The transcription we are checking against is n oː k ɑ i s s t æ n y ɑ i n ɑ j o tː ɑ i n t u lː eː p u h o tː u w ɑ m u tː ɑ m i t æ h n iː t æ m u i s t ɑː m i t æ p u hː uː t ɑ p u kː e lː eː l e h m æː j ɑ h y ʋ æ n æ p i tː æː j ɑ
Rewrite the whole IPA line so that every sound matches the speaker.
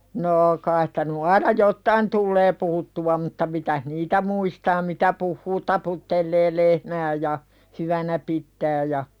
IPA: n oː k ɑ i s s t æ n y ɑ i n ɑ j o tː ɑ i n t u lː eː p u h u tː u w ɑ m u tː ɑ m i t æ h n iː t æ m u i s t ɑː m i t æ p u hː uː t ɑ p u tː e lː eː l e h m æː j ɑ h y ʋ æ n æ p i tː æː j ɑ